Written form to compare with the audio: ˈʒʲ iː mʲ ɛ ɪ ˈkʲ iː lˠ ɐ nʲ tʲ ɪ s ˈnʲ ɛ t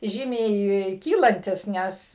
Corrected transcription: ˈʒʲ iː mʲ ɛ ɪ ˈkʲ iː lˠ ɐ nʲ tʲ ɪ s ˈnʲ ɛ s